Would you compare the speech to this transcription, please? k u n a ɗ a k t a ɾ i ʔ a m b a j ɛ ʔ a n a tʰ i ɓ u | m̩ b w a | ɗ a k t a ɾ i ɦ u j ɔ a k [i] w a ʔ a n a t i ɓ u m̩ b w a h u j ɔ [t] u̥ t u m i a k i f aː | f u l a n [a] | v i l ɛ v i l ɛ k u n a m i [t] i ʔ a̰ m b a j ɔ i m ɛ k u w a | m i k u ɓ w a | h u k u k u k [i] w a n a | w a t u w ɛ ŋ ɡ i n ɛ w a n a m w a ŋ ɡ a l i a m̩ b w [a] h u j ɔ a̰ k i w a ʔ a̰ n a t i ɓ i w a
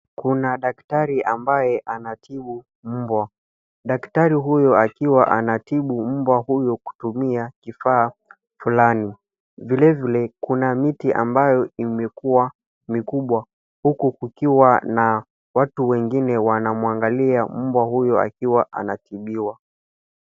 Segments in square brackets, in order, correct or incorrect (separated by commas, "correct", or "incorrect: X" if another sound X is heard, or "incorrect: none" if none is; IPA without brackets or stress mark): correct, incorrect: k, incorrect: i, correct, correct, correct